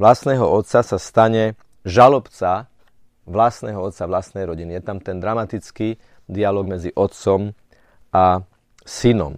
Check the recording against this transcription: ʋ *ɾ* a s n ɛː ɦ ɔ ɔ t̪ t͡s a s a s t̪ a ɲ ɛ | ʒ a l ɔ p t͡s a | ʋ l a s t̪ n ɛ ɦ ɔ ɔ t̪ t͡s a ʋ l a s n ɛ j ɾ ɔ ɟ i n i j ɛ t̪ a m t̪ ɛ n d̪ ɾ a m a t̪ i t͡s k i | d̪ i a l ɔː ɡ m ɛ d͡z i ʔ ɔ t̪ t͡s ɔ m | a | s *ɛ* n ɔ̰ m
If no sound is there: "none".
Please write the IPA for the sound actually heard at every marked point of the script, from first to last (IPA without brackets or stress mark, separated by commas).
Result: l, i